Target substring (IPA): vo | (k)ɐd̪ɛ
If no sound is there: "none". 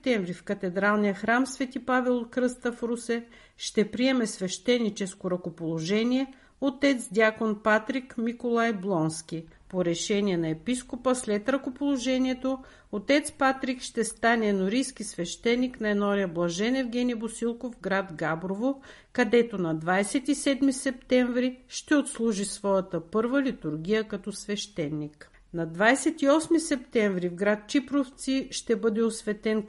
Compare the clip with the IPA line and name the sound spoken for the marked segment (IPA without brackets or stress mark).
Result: k